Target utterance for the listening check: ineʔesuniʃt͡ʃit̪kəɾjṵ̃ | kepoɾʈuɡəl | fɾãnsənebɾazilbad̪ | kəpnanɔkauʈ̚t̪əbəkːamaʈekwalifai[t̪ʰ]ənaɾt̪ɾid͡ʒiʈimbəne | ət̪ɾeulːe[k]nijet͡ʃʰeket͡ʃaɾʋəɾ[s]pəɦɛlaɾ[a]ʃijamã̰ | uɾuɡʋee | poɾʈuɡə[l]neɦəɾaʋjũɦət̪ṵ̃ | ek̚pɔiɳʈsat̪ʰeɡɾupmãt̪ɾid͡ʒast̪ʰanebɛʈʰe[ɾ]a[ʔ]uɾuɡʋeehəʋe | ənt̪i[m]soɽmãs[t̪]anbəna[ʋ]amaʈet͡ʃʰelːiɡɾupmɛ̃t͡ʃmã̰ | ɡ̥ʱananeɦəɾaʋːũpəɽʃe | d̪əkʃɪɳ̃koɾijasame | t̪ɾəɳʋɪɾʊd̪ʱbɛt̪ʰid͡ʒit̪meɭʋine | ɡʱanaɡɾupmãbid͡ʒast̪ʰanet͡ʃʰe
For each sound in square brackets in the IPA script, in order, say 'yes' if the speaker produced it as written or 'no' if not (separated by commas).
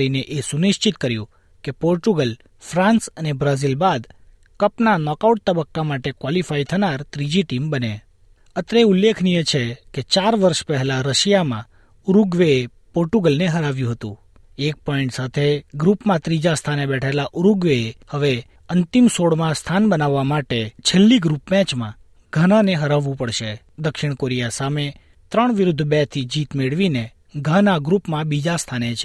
yes, no, no, no, yes, no, yes, yes, no, no